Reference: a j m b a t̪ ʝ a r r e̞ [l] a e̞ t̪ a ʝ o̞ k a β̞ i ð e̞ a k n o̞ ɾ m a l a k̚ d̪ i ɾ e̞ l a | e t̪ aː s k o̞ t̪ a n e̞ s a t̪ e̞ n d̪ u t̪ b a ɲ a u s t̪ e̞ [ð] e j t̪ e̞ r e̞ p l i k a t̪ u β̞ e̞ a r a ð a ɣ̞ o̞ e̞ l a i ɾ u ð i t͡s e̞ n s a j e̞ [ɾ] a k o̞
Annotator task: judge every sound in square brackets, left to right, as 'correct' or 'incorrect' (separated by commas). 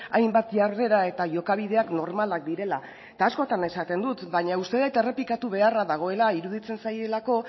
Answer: incorrect, correct, incorrect